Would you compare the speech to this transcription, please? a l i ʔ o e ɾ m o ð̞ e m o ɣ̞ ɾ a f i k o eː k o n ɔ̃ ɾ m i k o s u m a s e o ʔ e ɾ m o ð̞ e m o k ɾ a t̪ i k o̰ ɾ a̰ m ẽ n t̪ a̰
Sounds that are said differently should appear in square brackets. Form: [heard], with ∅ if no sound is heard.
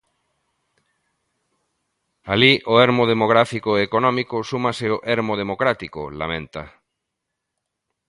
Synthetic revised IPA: a l i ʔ o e ɾ m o ð̞ e m o ɣ̞ ɾ a f i k o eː k o n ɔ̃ [∅] m i k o s u m a s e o ʔ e ɾ m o ð̞ e m o k ɾ a t̪ i k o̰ [l] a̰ m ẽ n t̪ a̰